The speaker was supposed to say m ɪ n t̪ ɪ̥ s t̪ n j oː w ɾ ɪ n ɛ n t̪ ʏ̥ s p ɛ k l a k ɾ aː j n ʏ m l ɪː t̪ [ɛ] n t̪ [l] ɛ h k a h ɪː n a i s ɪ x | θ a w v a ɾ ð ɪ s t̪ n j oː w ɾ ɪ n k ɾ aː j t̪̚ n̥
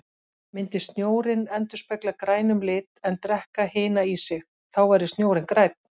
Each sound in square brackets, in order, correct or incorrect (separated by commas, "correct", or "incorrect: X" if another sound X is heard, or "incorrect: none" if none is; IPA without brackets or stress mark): correct, incorrect: ɾ